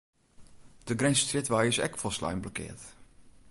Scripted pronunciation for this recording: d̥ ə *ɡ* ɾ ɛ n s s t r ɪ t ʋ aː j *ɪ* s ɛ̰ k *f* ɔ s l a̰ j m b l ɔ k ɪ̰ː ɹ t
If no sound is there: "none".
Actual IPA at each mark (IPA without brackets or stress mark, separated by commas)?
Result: ɡ, ɪ, f